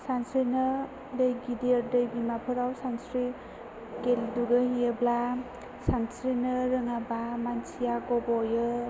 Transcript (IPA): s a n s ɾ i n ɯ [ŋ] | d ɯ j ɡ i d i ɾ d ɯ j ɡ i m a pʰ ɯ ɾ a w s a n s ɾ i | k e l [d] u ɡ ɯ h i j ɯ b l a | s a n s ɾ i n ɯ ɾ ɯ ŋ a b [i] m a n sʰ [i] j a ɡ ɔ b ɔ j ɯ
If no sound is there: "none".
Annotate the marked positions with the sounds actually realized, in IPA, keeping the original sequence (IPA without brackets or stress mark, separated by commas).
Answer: none, d, a, i